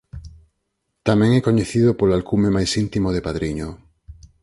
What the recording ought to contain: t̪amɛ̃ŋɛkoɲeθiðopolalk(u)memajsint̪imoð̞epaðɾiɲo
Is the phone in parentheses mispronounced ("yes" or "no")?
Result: no